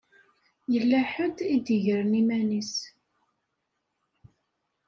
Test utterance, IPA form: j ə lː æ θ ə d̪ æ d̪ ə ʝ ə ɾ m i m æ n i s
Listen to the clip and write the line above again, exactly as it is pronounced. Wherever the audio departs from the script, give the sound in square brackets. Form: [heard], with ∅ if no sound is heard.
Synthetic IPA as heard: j ə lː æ [ħ] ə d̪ [i] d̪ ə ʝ ə ɾ [n] i m æ n i s